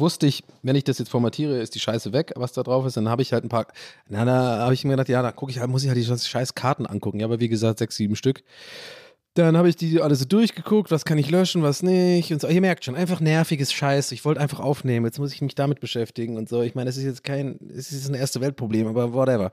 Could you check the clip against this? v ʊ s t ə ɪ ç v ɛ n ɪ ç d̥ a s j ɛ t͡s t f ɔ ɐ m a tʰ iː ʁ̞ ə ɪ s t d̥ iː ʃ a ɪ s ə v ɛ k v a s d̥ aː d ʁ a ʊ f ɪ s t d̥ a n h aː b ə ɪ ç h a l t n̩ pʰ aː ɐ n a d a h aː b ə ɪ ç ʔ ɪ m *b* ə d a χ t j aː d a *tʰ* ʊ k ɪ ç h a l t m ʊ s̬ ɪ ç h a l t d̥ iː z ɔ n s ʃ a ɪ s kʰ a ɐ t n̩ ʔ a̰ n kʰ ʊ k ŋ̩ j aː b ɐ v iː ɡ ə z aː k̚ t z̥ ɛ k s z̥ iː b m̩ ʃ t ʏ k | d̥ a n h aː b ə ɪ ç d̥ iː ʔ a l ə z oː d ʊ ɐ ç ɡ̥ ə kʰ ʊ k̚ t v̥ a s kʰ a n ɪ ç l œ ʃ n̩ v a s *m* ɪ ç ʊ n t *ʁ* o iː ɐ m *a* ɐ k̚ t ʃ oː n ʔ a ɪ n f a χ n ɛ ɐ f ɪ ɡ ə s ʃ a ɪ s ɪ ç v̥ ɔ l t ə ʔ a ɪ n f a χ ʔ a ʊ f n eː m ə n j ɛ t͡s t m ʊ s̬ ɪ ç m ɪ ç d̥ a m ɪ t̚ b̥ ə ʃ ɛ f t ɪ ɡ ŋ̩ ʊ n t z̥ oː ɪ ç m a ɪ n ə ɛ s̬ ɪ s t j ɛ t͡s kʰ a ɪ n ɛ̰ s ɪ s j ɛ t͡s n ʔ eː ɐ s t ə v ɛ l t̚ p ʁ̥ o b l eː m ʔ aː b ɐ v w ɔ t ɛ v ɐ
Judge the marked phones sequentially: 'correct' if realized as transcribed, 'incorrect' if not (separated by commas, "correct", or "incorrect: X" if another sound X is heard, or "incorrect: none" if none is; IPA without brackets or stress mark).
incorrect: ɡ, incorrect: kʰ, incorrect: n, incorrect: z, incorrect: ɛ